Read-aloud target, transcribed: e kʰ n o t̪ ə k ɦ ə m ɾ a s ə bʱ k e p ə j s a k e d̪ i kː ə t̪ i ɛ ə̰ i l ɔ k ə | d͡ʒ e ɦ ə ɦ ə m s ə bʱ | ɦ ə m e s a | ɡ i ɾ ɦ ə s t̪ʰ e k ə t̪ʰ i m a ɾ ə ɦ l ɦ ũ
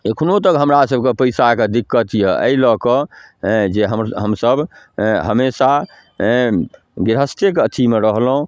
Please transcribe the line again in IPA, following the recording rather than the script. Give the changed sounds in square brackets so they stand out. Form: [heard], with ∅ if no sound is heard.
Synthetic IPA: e kʰ n o t̪ ə k ɦ ə m ɾ a s ə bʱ k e p ə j s a k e d̪ i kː ə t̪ [j] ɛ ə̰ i l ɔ k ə | d͡ʒ e ɦ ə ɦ ə m s ə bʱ | ɦ ə m e s a | ɡ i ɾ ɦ ə s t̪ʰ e k ə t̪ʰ i m [e] ɾ ə ɦ l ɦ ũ